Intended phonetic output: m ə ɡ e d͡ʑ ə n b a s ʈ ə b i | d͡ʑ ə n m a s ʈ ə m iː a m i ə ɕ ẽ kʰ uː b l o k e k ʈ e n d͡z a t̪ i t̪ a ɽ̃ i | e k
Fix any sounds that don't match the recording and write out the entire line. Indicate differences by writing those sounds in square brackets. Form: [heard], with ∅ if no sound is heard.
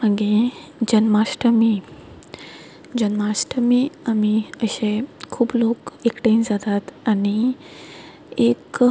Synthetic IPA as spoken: m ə ɡ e d͡ʑ ə n [m] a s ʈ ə [m] i | d͡ʑ ə n m a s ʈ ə m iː a m i ə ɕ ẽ kʰ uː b l o k e k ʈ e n d͡z a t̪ [a] t̪ a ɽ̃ i | e k